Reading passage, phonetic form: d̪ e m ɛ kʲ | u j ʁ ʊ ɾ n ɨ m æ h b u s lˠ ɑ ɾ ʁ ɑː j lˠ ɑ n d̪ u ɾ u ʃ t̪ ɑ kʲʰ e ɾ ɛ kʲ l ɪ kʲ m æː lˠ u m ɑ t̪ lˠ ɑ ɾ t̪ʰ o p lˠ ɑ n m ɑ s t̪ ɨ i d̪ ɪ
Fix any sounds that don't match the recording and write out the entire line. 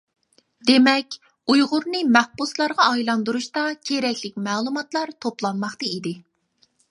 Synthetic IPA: d̪ e m ɛ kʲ | u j ʁ ʊ ɾ n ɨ m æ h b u s lˠ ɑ ɾ ʁ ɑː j lˠ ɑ n d̪ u ɾ u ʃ t̪ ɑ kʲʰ e ɾ ɛ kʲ l ɪ kʲ m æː lˠ u m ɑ t̪ lˠ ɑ ɾ t̪ʰ o p lˠ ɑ n m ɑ χ t̪ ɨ i d̪ ɪ